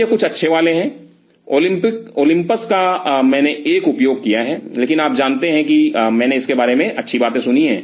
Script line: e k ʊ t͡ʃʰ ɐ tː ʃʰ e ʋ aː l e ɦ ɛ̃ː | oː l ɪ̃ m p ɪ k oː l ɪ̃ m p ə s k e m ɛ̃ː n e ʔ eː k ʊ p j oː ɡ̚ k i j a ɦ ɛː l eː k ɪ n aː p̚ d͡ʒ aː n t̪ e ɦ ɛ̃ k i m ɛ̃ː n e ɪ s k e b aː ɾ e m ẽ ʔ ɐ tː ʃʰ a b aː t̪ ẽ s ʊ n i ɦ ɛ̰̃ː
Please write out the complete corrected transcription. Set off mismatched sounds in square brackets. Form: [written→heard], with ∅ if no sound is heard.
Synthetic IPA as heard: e k ʊ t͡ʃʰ ɐ tː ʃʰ e ʋ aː l e ɦ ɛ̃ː | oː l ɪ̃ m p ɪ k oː l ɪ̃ m p ə s k [e→a] m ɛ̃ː n e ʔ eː k ʊ p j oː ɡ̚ k i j a ɦ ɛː l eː k ɪ n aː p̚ d͡ʒ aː n t̪ e ɦ ɛ̃ k i m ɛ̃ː n e ɪ s k e b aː ɾ e m ẽ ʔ ɐ tː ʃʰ [a→i] b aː t̪ ẽ s ʊ n i ɦ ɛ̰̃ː